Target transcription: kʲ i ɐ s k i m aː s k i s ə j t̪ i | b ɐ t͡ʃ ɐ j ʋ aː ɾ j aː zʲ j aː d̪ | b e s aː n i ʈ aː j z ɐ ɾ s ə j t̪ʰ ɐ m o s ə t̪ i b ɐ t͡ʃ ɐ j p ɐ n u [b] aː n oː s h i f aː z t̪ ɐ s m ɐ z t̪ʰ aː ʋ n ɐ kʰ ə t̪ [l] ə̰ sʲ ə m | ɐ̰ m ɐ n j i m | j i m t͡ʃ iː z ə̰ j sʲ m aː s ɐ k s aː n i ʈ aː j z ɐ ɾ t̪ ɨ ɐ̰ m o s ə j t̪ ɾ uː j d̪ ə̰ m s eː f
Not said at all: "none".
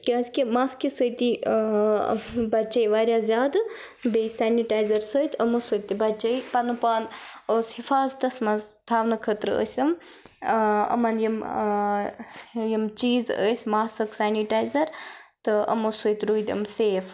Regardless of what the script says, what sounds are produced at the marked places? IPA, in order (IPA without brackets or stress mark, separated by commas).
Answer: p, ɾ